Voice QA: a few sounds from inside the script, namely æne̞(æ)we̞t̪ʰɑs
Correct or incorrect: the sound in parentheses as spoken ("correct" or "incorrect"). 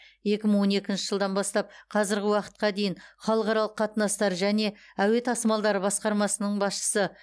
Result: correct